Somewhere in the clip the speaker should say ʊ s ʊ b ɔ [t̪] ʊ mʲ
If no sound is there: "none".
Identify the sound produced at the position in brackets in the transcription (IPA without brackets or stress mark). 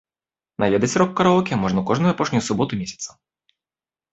t̪